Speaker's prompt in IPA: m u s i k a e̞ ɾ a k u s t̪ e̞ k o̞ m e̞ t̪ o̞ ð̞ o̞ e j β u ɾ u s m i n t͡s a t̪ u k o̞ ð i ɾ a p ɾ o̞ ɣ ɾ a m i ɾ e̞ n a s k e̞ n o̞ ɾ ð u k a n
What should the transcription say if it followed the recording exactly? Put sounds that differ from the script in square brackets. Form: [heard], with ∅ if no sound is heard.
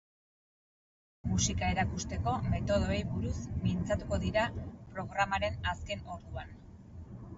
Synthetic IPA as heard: m u s i k a e̞ ɾ a k u s t̪ e̞ k o̞ m e̞ t̪ o̞ ð̞ o̞ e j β u ɾ u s m i n t͡s a t̪ u k o̞ ð i ɾ a p ɾ o̞ ɣ ɾ a m [a] ɾ e̞ n a s k e̞ n o̞ ɾ ð u [∅] a n